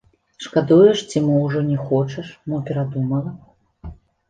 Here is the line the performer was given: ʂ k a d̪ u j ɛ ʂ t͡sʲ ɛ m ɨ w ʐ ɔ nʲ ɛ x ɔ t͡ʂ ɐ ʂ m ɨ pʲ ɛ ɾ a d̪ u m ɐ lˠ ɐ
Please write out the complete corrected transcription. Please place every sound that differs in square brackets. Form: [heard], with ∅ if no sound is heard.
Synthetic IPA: ʂ k a d̪ u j ɛ ʂ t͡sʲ [i] m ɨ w ʐ ɔ nʲ ɛ x ɔ t͡ʂ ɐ ʂ m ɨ pʲ ɛ ɾ a d̪ u m ɐ lˠ ɐ